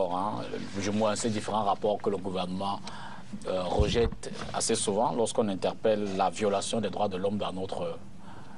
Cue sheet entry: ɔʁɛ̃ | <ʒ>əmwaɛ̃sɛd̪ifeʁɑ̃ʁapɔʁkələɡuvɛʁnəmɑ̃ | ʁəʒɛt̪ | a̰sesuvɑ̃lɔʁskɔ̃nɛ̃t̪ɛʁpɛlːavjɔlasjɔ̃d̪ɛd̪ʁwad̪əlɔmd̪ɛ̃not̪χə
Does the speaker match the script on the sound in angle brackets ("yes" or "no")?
yes